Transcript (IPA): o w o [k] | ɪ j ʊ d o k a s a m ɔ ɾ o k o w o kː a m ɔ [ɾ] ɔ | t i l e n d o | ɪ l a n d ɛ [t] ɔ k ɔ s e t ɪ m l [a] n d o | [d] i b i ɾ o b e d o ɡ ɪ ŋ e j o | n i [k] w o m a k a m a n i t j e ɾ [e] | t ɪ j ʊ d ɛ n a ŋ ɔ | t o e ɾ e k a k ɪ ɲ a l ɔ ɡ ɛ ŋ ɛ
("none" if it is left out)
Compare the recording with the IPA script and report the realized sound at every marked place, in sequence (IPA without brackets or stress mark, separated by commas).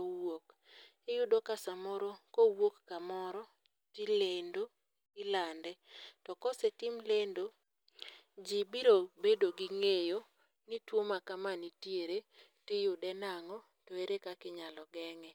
k, ɾ, t, e, d͡ʒ, t, e